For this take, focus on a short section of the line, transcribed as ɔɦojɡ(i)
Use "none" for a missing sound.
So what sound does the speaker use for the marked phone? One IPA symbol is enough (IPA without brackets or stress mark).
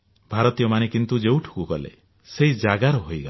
a